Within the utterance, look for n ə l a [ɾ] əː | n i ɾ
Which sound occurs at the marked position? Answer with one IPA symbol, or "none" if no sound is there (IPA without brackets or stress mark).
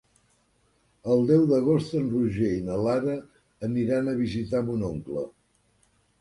ɾ